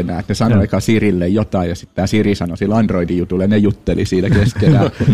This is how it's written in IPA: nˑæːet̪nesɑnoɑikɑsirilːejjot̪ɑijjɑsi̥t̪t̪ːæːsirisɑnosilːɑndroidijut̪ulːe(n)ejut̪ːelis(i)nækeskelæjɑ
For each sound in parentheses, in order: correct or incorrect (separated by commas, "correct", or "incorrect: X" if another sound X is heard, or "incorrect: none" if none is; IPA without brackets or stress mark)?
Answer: correct, incorrect: iː